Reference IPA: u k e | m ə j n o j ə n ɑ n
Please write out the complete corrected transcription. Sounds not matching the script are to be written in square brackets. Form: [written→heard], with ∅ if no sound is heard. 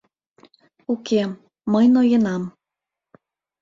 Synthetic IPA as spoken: u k e | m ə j n o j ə n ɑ [n→m]